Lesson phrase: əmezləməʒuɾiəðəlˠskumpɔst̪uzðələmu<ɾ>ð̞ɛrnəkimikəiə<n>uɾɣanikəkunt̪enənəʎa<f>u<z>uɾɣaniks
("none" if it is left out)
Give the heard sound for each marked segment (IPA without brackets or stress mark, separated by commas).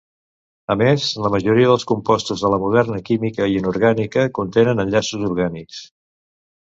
none, n, s, z